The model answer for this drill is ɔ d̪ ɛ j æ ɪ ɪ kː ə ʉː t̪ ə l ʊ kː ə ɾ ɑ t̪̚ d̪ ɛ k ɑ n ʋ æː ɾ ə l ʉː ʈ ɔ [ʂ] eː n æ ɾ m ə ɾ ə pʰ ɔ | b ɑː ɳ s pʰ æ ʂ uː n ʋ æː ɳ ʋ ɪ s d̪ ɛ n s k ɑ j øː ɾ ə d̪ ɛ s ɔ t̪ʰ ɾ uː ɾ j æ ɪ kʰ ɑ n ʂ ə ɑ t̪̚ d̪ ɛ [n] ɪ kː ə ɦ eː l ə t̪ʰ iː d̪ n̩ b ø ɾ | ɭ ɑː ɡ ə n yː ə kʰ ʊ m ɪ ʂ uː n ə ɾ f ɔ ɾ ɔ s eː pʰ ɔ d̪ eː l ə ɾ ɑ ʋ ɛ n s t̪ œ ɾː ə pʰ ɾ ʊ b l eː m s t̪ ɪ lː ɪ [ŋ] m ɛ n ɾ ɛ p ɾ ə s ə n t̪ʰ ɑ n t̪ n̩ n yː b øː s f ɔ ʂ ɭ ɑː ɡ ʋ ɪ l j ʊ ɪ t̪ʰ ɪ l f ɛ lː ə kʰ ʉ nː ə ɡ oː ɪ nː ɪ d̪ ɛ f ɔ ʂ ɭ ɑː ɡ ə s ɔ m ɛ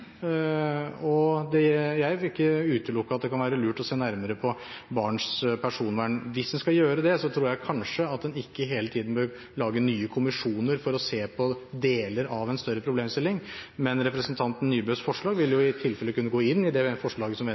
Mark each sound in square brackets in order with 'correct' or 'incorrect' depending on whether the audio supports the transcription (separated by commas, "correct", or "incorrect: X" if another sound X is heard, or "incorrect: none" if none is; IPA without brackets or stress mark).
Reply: incorrect: s, correct, correct